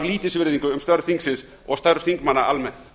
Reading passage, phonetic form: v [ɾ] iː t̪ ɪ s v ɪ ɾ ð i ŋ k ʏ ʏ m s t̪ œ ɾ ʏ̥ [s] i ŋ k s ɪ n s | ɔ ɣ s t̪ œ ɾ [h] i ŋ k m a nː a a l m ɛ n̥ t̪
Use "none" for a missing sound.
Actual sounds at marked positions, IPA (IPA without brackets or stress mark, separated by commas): l, θ, θ